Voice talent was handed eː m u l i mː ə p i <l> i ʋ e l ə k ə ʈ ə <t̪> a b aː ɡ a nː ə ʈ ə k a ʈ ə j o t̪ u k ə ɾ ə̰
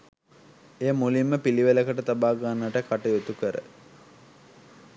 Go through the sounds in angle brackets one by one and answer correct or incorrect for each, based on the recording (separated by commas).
correct, correct